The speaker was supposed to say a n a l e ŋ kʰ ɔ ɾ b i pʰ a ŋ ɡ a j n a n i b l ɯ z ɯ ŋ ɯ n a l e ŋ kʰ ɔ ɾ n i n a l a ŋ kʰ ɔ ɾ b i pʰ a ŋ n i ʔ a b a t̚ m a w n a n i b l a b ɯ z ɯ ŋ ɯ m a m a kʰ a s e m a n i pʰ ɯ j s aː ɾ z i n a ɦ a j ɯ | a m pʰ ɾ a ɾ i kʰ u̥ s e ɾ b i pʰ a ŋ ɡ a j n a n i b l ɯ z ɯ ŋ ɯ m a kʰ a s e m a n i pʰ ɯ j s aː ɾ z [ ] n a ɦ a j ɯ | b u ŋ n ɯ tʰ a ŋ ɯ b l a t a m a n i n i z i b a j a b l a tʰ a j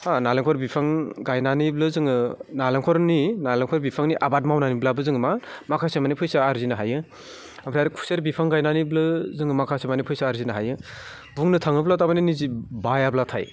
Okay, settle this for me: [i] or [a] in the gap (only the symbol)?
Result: i